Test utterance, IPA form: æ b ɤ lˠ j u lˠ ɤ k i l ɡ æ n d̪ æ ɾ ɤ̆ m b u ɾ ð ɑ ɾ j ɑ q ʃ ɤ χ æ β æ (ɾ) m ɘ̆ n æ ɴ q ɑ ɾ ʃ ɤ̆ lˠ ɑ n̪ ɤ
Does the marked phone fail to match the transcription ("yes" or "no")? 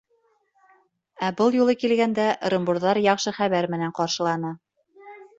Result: no